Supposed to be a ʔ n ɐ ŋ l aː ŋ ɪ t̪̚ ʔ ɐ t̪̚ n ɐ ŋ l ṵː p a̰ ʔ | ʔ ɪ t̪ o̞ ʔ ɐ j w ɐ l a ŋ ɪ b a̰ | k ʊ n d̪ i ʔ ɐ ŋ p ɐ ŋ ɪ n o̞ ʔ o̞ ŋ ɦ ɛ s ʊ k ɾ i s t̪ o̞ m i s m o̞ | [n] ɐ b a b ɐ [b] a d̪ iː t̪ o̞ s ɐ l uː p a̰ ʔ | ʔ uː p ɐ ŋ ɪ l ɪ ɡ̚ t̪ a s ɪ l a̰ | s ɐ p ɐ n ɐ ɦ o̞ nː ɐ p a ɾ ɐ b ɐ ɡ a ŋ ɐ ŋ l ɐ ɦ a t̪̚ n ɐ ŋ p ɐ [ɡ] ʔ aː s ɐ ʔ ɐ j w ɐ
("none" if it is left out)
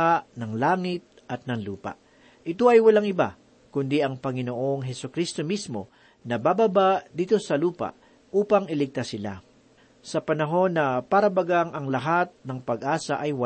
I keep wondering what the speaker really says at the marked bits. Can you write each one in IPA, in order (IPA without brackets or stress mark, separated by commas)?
n, b, ɡ